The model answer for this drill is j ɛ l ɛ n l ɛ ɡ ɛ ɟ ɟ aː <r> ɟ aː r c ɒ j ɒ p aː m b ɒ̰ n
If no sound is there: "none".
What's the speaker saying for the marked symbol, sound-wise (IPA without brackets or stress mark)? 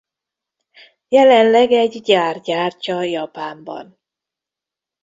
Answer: r